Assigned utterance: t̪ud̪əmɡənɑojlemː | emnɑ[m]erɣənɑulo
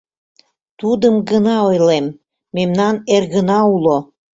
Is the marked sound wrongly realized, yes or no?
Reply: yes